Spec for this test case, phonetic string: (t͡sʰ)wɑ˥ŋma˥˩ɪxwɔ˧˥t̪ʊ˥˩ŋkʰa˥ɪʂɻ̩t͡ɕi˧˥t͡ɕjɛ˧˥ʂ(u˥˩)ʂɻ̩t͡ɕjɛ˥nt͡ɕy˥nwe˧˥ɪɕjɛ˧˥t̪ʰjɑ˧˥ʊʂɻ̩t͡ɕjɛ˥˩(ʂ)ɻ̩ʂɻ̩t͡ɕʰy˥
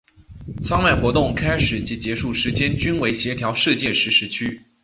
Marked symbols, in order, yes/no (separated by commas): yes, yes, yes